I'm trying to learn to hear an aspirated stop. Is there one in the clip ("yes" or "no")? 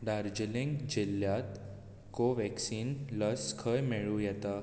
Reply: yes